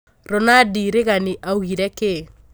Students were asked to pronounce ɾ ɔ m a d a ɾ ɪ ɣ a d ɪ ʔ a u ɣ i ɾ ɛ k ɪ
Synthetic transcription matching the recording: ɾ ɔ n a d i ɾ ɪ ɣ a n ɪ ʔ a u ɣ i ɾ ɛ k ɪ